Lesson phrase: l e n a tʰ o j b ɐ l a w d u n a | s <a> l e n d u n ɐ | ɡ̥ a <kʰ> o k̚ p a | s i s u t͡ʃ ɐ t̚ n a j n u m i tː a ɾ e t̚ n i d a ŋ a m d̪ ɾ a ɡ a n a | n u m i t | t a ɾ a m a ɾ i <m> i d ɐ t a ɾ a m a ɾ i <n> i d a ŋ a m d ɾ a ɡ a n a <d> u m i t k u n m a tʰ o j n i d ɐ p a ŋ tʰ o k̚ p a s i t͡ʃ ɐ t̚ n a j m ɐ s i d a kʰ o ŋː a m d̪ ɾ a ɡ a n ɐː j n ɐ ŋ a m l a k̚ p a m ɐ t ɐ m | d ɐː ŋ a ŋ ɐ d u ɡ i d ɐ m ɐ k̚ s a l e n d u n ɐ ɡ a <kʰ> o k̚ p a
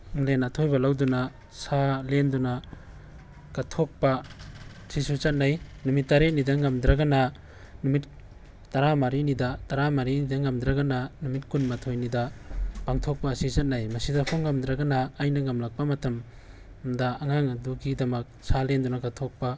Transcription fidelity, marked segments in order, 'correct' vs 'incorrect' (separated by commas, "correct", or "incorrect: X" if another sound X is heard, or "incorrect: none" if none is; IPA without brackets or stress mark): correct, incorrect: tʰ, incorrect: n, correct, incorrect: n, incorrect: tʰ